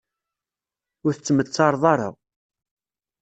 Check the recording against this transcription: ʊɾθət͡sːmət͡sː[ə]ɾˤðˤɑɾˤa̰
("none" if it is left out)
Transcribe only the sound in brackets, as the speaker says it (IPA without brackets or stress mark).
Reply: ɑ